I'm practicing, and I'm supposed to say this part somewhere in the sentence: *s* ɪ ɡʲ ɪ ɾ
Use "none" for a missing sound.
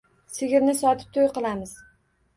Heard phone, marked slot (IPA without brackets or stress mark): s